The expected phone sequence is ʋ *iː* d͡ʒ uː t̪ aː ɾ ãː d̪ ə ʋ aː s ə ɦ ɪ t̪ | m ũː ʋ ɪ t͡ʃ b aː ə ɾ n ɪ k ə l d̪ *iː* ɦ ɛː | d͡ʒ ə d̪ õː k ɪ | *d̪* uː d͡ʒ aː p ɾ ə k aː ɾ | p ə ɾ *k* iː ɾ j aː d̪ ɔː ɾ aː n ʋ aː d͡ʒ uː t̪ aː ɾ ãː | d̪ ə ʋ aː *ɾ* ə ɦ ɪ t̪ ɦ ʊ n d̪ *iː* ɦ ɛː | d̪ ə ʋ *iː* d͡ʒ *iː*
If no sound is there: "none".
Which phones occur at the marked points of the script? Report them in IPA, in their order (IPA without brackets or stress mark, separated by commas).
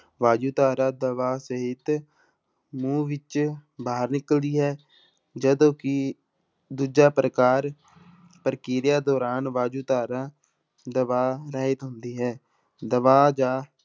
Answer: aː, iː, d̪, k, ɾ, iː, aː, aː